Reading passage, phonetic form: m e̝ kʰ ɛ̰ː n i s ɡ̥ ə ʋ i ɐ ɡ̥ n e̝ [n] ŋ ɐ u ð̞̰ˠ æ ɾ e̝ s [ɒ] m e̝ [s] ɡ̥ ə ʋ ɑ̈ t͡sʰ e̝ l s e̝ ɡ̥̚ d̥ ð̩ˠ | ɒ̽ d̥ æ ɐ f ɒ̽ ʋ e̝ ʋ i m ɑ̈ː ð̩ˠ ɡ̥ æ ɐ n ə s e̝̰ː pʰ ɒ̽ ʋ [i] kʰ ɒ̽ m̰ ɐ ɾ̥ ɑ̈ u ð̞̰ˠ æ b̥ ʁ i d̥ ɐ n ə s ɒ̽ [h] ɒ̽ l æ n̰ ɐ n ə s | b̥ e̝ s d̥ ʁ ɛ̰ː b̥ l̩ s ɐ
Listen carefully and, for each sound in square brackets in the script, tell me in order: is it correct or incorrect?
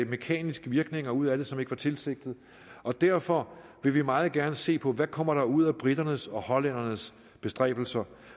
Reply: incorrect: none, correct, incorrect: none, incorrect: æ, correct

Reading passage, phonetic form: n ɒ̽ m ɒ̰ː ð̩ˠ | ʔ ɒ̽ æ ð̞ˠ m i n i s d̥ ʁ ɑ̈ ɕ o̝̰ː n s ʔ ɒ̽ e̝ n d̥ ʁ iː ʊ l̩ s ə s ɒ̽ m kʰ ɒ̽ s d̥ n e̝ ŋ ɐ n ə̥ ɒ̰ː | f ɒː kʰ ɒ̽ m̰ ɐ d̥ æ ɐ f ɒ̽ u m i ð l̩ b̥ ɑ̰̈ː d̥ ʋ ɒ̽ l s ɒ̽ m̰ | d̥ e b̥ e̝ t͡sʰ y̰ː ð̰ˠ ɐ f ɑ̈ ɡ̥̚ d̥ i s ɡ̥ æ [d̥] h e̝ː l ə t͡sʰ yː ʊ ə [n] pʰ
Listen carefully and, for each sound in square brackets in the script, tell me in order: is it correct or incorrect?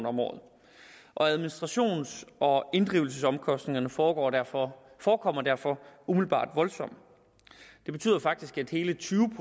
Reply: correct, incorrect: none

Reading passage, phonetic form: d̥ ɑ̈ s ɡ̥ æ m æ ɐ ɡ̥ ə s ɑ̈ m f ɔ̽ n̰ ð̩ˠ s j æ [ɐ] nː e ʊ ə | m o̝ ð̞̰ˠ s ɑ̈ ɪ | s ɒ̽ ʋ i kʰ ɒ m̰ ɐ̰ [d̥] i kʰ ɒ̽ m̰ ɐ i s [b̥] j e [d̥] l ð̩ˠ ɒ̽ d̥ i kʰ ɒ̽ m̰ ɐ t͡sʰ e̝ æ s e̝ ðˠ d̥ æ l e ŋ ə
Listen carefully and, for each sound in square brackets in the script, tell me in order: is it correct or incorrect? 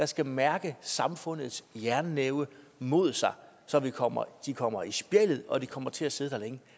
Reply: correct, correct, correct, incorrect: none

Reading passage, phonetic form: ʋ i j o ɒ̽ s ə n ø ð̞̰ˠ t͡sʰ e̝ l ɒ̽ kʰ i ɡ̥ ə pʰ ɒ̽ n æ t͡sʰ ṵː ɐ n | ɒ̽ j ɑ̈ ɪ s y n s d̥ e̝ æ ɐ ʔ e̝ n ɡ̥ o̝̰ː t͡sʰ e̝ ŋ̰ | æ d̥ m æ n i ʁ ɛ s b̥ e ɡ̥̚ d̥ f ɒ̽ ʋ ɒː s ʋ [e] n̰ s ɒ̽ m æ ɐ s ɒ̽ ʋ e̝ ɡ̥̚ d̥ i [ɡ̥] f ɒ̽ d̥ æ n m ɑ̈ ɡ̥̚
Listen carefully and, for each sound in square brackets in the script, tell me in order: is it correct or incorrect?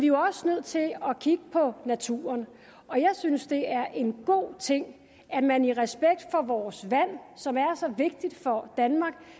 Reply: incorrect: æ, incorrect: d̥

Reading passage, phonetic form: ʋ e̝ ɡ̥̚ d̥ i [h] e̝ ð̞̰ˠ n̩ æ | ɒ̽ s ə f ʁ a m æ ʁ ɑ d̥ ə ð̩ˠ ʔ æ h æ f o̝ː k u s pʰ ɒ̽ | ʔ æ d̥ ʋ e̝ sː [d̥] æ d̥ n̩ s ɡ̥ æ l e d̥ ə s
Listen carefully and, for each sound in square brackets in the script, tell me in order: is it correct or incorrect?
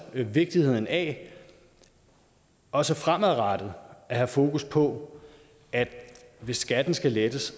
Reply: correct, incorrect: ɡ̥

